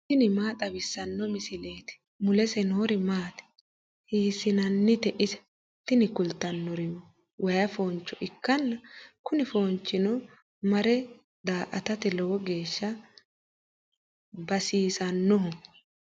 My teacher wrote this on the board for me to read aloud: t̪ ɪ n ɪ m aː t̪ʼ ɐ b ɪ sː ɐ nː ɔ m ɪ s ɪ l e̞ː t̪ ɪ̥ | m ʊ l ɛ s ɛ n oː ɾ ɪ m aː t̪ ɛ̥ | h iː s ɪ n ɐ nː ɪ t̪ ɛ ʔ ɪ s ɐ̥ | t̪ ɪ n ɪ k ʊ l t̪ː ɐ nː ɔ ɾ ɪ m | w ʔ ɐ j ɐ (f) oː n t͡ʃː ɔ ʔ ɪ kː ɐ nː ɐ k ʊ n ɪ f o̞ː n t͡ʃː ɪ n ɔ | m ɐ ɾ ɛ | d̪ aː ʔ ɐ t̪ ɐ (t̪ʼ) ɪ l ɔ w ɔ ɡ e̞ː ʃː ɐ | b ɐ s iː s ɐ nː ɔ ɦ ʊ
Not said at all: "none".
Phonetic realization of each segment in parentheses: f, t̪

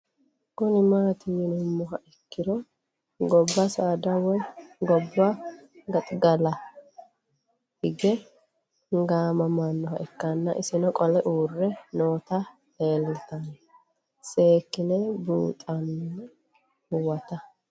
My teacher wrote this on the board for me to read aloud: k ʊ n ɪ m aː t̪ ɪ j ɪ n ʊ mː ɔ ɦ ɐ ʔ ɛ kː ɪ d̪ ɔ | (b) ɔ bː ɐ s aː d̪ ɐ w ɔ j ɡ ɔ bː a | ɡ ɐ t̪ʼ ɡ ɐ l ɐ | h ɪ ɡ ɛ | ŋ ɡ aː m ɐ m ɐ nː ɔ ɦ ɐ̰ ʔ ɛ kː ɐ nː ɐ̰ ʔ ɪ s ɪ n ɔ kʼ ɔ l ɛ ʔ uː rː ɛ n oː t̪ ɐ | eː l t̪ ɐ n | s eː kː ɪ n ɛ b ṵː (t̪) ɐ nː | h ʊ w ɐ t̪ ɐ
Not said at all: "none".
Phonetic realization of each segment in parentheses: ɡ, t̪ʼ

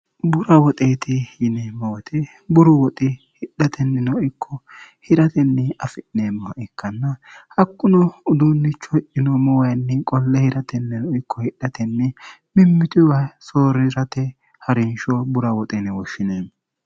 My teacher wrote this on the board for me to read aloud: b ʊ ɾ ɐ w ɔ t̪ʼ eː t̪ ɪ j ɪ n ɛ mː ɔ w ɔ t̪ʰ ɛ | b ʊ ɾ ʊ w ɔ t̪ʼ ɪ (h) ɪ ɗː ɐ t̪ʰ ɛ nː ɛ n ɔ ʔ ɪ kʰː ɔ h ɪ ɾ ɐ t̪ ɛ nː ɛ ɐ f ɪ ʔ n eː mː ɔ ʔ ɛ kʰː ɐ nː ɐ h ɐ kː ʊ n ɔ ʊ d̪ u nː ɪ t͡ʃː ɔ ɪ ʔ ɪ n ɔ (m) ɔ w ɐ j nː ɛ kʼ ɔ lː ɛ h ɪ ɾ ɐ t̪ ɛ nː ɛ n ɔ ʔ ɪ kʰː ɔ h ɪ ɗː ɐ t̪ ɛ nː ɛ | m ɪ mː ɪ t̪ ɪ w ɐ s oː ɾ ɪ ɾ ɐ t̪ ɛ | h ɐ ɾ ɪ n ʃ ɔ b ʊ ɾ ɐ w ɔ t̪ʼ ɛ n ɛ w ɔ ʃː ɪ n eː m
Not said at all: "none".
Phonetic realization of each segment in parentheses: h, m

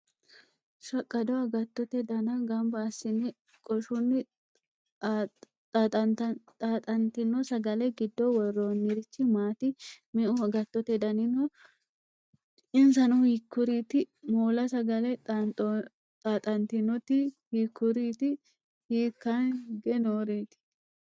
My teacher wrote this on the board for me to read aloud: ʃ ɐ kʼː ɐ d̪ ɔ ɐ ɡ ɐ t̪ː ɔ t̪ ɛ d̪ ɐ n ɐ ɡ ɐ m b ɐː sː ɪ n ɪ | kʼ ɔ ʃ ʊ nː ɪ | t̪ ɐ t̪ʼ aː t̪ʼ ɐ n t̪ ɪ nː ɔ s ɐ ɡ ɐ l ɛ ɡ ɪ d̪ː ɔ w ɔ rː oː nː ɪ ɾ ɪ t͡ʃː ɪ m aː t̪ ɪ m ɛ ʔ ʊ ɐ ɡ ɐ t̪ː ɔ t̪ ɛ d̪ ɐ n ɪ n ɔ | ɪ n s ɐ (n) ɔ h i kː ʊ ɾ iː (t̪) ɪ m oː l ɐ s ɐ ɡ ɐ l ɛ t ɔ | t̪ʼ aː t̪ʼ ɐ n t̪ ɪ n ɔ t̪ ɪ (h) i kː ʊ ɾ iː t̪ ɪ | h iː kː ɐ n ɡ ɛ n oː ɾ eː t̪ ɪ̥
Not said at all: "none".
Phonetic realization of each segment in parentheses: n, t̪, h

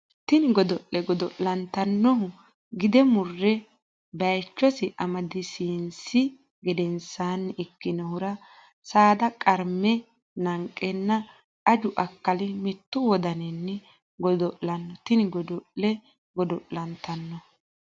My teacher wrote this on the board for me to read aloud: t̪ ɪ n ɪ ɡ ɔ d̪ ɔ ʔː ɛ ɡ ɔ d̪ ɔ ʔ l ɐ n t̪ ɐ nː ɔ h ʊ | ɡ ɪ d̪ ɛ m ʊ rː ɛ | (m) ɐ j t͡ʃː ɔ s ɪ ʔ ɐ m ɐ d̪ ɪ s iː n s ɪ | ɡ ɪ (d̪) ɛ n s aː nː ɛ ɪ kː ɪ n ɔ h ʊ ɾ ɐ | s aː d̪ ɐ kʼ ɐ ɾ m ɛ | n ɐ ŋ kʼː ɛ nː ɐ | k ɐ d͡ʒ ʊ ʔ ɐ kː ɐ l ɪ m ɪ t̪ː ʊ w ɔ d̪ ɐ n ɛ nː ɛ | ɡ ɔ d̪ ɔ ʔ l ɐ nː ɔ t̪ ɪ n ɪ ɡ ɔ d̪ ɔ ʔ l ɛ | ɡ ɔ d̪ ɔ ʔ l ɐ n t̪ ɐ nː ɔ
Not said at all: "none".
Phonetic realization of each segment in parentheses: b, d̪

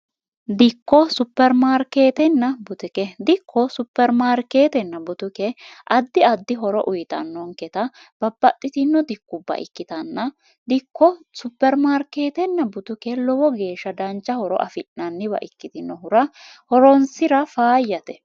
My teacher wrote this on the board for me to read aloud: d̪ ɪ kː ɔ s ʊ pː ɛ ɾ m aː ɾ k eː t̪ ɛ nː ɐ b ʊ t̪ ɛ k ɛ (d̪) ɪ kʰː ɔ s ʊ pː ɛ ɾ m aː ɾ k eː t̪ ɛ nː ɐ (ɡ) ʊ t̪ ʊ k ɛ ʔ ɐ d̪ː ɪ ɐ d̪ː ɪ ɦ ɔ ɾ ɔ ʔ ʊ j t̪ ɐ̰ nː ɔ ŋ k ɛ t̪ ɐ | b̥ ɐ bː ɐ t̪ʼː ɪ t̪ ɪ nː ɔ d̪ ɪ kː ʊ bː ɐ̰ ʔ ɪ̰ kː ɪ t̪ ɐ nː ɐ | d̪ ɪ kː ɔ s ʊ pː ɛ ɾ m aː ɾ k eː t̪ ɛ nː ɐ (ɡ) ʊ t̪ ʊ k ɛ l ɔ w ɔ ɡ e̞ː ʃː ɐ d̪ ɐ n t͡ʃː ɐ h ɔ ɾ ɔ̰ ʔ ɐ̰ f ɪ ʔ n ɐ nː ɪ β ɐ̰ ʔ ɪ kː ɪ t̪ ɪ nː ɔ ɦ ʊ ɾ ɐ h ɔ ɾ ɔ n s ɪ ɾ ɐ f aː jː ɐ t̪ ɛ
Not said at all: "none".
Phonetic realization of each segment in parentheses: d̪, b, b

